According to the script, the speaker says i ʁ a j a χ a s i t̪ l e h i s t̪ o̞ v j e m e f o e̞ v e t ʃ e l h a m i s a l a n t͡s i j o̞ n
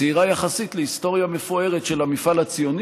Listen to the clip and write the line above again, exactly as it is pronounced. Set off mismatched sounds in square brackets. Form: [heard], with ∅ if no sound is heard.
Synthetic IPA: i ʁ a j a χ a s i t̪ l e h i s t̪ o̞ [ʁ] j [a] m e f o e̞ [ʁ] e t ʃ e l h a m i [f] a l a [∅] t͡s i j o̞ n